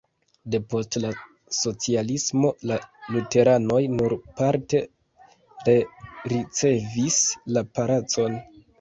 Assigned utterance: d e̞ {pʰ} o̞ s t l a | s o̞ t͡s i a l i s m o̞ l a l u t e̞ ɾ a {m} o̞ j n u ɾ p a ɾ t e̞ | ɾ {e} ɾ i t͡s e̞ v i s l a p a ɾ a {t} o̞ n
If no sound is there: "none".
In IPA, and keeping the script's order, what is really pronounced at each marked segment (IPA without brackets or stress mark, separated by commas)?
p, n, e, t͡s